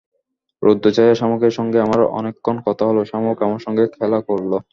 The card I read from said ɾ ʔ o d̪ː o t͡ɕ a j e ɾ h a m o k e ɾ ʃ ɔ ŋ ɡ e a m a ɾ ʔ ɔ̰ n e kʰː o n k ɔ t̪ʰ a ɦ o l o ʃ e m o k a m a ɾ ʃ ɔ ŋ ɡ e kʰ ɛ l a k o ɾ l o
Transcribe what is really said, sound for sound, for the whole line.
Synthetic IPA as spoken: ɾ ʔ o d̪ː o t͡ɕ a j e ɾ ʃ a m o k e ɾ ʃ ɔ ŋ ɡ e a m a ɾ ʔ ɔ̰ n e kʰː o n k ɔ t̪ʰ a ɦ o l o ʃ a m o k a m a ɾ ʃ ɔ ŋ ɡ e kʰ ɛ l a k o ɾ l o